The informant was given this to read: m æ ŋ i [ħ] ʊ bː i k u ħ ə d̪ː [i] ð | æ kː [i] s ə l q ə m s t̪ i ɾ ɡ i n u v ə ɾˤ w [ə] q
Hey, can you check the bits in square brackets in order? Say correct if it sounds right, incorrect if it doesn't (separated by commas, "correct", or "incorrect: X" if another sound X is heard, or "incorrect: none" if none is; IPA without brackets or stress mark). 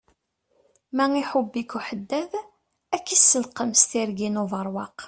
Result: correct, incorrect: æ, correct, incorrect: ɑ